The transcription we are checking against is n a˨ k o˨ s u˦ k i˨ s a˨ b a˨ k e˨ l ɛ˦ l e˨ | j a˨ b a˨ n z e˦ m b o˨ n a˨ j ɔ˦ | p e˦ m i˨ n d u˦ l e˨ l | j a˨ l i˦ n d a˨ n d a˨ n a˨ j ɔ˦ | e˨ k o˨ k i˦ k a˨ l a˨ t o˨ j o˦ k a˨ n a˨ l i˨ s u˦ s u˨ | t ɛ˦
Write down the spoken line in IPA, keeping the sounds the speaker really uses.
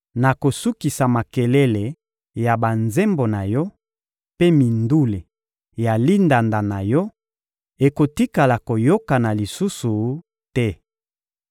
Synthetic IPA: n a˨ k o˨ s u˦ k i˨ s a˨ m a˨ k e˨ l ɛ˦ l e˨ | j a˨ b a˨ n z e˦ m b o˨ n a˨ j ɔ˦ | p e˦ m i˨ n d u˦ l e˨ | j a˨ l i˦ n d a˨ n d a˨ n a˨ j ɔ˦ | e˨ k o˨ t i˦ k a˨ l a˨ k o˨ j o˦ k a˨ n a˨ l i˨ s u˦ s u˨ | t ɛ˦

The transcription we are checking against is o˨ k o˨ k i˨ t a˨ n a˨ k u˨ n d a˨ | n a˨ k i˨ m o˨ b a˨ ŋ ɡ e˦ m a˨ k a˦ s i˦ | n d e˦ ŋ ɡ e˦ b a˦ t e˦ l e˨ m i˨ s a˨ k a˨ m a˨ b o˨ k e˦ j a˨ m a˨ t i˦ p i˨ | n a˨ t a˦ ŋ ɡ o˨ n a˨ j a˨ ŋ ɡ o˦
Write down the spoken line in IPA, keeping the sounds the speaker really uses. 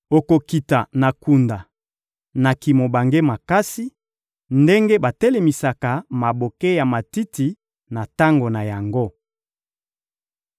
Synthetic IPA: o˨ k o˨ k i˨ t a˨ n a˨ k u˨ n d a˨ | n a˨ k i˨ m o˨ b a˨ ŋ ɡ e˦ m a˨ k a˦ s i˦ | n d e˦ ŋ ɡ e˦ b a˨ t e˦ l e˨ m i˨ s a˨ k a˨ m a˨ b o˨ k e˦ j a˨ m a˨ t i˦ t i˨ | n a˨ t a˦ ŋ ɡ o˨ n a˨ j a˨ ŋ ɡ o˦

